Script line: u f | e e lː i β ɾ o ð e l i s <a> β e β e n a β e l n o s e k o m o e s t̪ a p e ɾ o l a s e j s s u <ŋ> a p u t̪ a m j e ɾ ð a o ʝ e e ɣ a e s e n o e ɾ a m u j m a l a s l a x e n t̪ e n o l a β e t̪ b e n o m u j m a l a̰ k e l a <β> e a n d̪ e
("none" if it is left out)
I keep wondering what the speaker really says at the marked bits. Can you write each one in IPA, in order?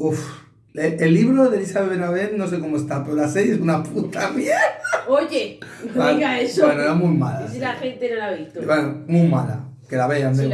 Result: a, n, β

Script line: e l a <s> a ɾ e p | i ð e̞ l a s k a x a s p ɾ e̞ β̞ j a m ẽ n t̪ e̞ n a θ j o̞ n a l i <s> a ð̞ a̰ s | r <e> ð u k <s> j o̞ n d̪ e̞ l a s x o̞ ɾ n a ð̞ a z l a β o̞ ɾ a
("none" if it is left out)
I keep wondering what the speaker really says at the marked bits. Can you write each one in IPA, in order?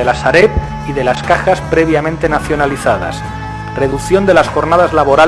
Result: s, θ, e, θ

